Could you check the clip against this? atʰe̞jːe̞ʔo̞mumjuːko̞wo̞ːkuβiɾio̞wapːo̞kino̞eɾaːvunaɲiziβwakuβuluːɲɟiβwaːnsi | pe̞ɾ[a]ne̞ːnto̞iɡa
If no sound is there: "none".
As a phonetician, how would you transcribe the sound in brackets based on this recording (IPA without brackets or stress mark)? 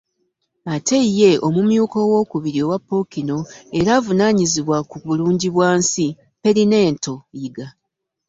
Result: i